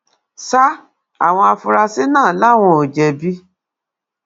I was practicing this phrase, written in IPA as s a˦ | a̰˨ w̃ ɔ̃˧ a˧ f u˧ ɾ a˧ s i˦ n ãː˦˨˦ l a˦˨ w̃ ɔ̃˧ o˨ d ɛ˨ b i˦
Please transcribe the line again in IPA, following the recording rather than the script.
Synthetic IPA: s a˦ | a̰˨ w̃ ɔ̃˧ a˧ f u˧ ɾ a˧ s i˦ n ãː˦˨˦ l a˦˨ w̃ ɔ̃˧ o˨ d͡ʒ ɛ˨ b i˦